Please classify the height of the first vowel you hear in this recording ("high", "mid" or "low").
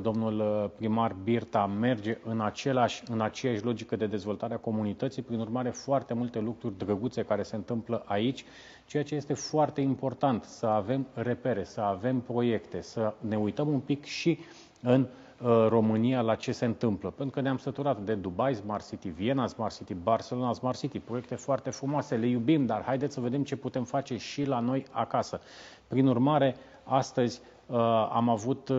mid